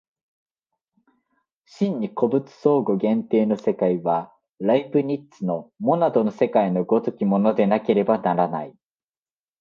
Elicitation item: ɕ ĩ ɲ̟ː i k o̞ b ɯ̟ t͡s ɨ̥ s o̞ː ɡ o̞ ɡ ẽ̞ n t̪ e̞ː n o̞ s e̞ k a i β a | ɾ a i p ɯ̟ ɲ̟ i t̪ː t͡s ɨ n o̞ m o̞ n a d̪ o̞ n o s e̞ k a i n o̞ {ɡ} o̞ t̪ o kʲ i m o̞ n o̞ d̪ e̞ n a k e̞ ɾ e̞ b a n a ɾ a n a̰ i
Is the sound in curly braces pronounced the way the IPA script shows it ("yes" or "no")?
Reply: yes